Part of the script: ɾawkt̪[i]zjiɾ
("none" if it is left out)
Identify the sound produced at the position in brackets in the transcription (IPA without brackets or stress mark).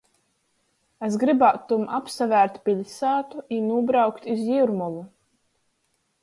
i